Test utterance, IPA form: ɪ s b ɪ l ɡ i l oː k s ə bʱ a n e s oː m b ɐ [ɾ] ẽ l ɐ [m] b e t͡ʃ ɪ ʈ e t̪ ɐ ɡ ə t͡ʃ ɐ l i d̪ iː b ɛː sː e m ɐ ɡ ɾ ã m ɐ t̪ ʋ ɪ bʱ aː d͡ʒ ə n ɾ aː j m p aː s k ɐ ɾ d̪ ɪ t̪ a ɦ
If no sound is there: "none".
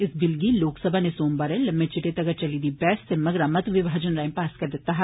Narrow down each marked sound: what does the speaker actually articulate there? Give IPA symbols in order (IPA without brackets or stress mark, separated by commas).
ɾ, m